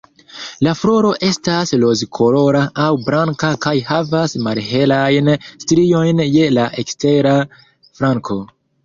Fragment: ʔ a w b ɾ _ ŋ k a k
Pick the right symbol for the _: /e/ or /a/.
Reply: a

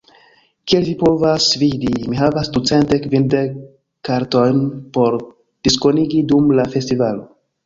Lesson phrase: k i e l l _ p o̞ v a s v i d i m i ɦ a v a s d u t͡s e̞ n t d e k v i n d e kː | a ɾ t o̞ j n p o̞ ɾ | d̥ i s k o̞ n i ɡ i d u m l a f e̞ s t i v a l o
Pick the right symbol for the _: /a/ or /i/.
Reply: i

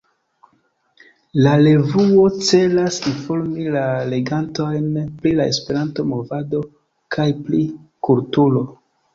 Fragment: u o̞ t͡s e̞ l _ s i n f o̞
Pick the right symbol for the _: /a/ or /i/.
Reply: a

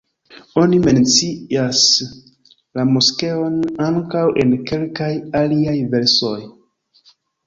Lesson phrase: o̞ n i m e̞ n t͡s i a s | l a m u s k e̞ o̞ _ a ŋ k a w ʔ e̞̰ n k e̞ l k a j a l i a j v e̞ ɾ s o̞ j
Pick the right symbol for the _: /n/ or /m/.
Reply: n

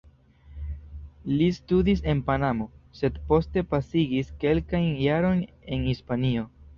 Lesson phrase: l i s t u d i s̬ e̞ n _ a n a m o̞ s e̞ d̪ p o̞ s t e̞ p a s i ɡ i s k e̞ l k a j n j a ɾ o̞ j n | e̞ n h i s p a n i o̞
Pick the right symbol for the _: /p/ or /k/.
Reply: p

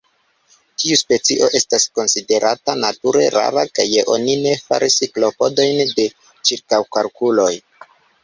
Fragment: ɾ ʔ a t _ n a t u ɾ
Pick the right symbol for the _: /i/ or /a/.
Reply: a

